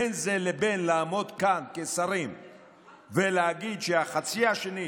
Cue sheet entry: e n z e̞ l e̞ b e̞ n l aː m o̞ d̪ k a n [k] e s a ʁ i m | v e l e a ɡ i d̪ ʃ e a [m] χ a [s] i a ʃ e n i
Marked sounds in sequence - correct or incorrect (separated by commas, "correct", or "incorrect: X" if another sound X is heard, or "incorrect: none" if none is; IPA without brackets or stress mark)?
correct, incorrect: none, incorrect: t͡s